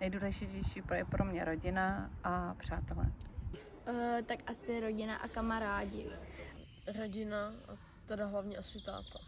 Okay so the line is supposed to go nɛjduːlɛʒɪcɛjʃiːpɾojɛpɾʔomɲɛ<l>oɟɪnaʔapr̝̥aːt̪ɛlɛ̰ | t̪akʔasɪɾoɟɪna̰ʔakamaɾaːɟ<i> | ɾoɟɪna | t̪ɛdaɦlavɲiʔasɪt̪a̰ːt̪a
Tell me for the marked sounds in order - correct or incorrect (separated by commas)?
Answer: incorrect, incorrect